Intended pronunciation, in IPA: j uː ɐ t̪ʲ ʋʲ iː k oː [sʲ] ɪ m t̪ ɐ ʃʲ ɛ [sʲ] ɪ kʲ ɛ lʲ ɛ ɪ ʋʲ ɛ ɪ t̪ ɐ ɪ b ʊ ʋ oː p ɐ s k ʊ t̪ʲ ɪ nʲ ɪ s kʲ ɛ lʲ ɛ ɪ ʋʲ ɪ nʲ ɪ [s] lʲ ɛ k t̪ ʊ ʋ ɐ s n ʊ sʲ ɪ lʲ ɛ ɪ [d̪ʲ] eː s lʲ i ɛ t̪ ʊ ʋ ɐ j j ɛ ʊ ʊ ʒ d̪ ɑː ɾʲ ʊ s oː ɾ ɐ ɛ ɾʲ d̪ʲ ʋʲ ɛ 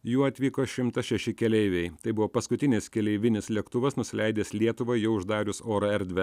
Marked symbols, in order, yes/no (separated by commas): no, no, yes, yes